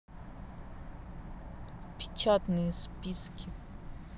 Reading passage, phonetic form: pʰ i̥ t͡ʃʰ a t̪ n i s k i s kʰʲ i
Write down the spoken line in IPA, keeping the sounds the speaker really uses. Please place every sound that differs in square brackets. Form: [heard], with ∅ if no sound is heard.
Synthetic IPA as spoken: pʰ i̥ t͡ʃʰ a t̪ n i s [p] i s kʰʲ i

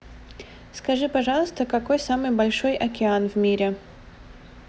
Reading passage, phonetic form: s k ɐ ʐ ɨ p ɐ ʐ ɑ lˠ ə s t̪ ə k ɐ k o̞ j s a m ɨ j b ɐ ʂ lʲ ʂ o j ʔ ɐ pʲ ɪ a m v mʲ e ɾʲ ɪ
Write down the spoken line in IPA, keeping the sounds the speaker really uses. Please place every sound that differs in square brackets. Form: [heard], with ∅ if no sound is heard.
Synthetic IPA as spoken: s k ɐ ʐ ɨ p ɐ ʐ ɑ lˠ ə s t̪ ə k ɐ k o̞ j s a m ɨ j b ɐ [∅] lʲ ʂ o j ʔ ɐ [kʲ] ɪ a [n] v mʲ [i] ɾʲ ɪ

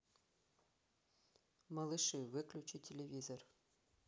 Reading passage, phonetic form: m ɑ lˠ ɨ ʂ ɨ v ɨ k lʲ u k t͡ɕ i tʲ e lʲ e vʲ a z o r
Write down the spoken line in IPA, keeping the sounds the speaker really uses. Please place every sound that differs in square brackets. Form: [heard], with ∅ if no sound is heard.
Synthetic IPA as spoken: m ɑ lˠ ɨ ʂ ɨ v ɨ k lʲ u [∅] t͡ɕ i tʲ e lʲ e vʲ [i] z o r

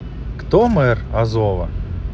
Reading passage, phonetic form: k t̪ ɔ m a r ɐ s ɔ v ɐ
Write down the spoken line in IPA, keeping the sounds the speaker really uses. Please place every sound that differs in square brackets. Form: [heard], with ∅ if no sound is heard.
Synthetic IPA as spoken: k t̪ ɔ m [ɛ] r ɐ [z] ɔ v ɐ

